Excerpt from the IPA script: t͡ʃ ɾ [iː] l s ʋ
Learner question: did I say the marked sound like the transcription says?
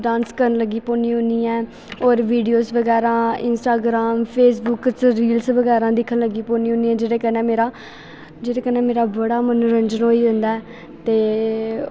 yes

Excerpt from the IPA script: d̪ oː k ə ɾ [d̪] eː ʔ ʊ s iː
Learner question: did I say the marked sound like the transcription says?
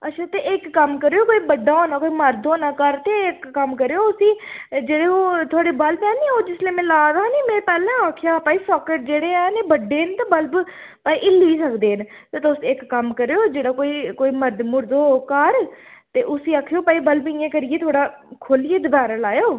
no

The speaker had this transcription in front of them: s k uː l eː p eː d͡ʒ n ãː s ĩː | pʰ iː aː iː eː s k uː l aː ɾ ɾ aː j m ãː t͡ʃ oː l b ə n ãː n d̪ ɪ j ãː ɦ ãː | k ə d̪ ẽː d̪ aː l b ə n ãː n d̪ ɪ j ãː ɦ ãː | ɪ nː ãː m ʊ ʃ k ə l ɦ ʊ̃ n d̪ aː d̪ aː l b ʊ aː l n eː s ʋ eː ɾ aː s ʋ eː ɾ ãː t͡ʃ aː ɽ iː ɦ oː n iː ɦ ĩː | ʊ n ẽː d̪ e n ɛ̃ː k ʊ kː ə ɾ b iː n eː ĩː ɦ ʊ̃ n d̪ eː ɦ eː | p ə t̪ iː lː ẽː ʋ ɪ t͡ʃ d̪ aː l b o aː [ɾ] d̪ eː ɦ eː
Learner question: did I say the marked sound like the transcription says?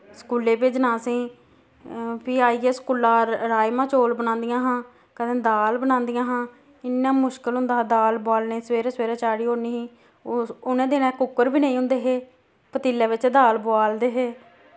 no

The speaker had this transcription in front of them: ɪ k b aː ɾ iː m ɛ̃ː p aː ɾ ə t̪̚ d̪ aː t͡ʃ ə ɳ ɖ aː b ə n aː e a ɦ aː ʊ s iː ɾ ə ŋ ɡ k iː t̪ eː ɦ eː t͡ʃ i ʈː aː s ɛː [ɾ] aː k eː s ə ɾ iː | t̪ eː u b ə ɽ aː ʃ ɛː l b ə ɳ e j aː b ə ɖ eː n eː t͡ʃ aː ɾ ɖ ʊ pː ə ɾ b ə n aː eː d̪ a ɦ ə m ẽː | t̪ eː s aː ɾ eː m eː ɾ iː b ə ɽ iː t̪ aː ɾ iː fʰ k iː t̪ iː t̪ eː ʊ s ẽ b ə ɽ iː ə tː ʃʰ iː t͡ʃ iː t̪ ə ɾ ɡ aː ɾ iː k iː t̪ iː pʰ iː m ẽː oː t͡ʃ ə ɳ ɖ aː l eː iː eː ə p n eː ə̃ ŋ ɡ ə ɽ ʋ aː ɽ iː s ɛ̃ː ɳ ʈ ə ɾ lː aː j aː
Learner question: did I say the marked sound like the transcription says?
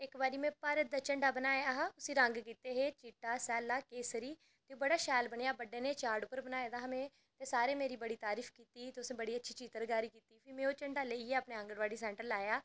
no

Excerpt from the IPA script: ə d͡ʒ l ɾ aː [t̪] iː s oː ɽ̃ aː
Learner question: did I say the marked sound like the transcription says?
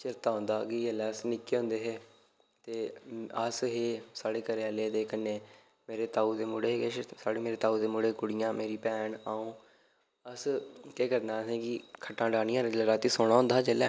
yes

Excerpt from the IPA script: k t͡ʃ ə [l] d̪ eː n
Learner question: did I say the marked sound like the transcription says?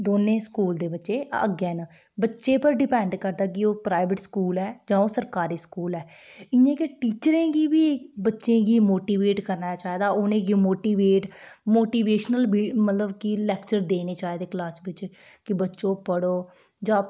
no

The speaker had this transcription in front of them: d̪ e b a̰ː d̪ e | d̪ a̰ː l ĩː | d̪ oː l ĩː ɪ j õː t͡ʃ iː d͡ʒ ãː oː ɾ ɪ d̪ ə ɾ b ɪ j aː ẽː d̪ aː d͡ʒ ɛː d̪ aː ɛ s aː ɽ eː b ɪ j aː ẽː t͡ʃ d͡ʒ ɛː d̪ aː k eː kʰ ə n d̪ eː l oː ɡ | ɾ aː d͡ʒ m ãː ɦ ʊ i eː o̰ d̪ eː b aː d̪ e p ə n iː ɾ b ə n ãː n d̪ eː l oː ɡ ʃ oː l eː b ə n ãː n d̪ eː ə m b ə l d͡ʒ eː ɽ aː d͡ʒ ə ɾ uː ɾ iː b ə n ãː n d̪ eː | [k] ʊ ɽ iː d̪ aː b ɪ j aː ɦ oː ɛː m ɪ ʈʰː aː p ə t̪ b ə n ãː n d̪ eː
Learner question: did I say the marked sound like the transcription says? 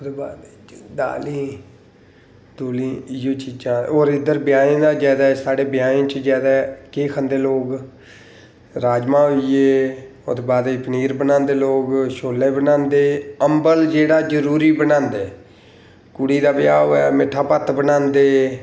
yes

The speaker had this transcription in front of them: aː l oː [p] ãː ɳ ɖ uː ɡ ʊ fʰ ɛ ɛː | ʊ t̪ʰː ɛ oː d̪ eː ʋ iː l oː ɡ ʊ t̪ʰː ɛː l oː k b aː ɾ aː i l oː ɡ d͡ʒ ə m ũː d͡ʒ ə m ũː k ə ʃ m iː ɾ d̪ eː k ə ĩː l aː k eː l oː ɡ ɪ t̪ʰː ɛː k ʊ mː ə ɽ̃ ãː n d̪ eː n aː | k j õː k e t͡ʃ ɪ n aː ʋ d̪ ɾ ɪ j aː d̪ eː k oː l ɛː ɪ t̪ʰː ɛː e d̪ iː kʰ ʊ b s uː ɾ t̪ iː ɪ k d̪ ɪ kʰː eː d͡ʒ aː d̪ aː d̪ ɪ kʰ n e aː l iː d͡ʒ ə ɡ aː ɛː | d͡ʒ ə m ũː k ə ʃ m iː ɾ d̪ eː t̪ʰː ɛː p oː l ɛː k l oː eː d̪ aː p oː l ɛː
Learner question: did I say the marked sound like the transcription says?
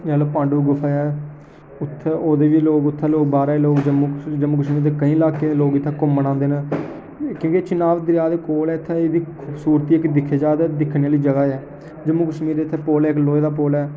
yes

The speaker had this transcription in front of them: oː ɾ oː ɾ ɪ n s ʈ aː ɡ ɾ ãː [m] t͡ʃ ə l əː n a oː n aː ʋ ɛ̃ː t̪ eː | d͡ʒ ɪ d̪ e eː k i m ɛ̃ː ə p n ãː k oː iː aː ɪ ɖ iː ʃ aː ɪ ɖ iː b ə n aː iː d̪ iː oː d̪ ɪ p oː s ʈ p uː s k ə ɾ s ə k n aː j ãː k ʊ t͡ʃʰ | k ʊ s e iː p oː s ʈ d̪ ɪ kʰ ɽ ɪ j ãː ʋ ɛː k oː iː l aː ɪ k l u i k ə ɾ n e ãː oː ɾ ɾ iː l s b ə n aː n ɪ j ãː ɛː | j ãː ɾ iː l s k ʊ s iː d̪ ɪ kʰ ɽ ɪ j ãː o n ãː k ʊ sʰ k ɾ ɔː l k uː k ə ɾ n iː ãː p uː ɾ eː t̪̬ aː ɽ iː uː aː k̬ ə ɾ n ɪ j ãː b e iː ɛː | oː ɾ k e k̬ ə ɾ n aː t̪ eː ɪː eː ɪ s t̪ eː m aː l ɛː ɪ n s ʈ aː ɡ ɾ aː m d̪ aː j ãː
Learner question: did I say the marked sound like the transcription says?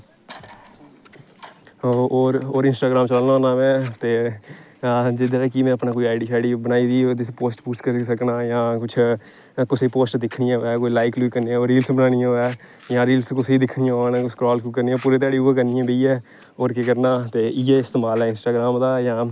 yes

